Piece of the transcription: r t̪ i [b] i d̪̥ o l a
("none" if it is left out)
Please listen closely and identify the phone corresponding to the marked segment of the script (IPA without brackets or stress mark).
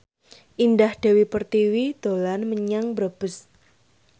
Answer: w